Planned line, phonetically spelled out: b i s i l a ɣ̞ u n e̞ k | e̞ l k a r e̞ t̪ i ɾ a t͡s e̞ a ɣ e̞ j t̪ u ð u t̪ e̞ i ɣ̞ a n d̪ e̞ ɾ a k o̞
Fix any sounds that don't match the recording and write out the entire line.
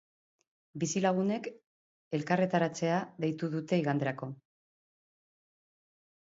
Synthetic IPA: b i s i l a ɣ̞ u n e̞ k | e̞ l k a r e̞ t̪ a ɾ a t͡s e̞ a ð e̞ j t̪ u ð u t̪ e̞ i ɣ̞ a n d̪ e̞ ɾ a k o̞